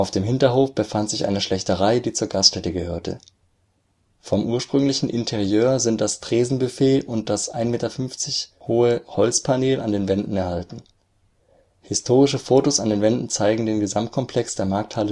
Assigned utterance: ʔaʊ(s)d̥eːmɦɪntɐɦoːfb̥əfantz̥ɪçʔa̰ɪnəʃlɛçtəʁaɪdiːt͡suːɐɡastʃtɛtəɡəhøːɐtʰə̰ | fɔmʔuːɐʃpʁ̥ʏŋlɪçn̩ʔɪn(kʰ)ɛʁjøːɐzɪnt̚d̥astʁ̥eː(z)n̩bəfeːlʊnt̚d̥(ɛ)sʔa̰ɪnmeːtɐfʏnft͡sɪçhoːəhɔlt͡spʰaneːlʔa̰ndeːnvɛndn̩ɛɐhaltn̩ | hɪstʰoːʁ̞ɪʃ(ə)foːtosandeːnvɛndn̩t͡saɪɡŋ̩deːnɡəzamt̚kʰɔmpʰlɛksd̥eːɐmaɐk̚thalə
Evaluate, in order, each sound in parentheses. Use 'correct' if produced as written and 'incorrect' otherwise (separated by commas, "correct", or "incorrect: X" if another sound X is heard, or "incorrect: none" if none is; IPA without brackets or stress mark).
incorrect: f, incorrect: tʰ, correct, incorrect: a, correct